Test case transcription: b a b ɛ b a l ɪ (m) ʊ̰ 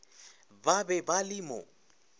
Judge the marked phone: correct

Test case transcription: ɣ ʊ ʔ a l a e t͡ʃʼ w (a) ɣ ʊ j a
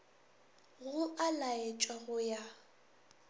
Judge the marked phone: correct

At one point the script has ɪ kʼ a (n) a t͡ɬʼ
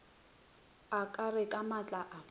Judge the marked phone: incorrect: m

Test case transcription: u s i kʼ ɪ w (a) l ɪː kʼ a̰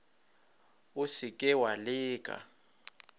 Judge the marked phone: correct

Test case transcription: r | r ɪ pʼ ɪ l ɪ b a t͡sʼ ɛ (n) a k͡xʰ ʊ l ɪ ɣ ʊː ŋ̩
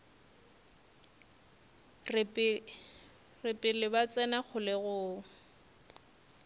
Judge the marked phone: correct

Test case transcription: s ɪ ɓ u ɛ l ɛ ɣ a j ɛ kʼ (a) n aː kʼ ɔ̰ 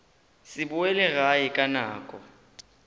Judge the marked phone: correct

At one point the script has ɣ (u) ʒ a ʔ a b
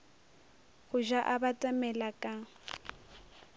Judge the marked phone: incorrect: ʊ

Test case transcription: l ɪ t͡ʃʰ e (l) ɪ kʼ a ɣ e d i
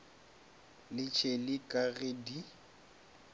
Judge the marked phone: correct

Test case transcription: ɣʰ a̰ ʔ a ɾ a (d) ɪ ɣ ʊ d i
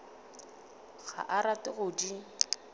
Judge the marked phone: incorrect: t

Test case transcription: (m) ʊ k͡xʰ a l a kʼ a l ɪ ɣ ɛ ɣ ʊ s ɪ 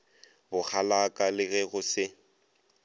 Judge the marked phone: incorrect: b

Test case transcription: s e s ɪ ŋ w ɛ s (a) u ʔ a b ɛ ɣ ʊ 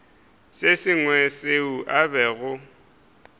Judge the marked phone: incorrect: e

